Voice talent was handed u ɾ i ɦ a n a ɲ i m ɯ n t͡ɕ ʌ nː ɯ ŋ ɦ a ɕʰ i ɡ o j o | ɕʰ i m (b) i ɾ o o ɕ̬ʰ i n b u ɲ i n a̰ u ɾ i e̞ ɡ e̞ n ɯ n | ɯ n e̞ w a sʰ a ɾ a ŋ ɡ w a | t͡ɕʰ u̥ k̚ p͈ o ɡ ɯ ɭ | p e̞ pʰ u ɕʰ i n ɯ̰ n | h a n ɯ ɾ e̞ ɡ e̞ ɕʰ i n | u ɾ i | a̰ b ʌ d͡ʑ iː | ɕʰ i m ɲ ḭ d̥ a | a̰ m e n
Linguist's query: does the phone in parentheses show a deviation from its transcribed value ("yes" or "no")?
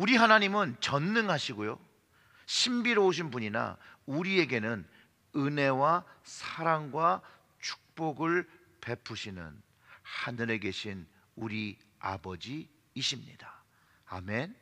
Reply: no